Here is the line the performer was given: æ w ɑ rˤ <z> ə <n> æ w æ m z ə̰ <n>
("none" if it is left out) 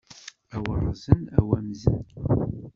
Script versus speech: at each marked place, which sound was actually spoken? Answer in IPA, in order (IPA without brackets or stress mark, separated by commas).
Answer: z, n, n